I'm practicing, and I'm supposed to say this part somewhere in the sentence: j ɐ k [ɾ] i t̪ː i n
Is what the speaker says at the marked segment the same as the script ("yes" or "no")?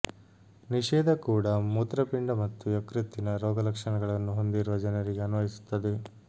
yes